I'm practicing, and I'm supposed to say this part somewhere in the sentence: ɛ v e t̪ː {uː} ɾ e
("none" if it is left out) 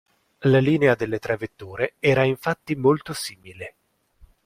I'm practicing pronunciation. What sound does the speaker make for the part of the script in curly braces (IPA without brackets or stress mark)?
uː